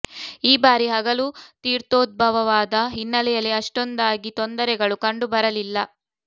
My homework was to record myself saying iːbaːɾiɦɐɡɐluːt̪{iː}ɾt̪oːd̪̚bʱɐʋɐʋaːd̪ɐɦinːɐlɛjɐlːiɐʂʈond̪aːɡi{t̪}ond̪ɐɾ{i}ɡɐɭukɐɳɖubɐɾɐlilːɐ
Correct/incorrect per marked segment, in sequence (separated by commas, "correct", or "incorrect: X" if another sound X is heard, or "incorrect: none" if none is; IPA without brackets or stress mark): correct, correct, incorrect: ɛ